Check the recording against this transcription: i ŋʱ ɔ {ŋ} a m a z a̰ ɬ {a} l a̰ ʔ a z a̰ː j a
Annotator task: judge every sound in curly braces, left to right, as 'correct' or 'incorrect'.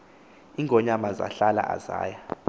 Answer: incorrect: ɲ, correct

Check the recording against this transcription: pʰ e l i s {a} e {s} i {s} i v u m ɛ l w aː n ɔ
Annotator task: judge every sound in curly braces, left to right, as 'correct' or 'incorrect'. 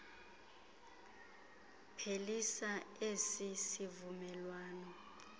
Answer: correct, correct, correct

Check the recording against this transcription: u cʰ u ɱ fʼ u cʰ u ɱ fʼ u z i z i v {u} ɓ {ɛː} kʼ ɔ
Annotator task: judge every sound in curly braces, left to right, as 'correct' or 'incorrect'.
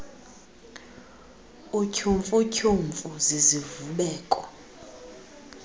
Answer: correct, correct

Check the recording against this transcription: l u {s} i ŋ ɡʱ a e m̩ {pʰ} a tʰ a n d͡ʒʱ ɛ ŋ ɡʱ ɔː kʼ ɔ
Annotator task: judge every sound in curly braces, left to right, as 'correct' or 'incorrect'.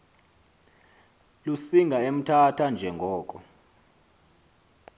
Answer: correct, incorrect: tʰ

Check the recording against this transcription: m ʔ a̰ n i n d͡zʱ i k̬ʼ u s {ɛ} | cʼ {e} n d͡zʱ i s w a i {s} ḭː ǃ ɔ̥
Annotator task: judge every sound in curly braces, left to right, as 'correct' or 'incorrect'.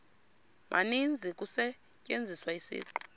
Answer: correct, correct, correct

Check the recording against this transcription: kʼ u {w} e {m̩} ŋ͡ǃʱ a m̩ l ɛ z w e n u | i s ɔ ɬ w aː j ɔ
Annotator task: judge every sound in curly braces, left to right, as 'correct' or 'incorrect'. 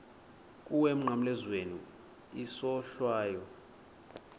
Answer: correct, correct

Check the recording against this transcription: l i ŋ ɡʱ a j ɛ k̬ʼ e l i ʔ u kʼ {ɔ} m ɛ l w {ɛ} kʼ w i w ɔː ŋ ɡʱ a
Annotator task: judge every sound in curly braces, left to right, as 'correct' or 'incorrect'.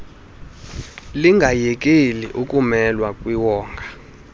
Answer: incorrect: u, incorrect: a

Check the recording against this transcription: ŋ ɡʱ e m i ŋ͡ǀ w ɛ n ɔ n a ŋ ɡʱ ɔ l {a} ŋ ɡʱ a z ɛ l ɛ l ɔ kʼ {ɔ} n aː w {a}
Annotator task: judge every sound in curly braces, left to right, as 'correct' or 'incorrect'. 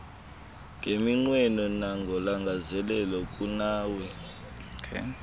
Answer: correct, incorrect: u, incorrect: ɛ

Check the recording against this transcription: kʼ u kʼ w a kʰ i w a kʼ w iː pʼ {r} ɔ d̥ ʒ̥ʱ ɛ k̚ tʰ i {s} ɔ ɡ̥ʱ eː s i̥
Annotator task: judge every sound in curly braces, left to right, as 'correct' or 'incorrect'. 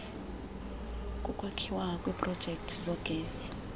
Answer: correct, incorrect: z

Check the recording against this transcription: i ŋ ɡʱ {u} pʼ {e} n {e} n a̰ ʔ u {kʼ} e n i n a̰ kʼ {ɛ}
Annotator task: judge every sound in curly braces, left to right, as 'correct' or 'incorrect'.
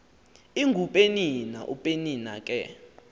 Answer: correct, correct, incorrect: i, incorrect: pʼ, correct

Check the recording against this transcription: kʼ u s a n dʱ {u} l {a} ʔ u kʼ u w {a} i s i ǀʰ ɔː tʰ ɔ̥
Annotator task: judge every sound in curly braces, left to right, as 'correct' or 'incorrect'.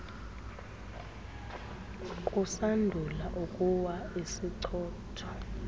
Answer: correct, correct, correct

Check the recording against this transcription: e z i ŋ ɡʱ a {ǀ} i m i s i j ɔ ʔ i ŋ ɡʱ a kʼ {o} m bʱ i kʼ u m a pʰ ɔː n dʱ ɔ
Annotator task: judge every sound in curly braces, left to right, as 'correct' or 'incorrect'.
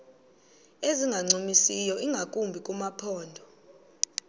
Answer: incorrect: ŋ͡ǀ, incorrect: u

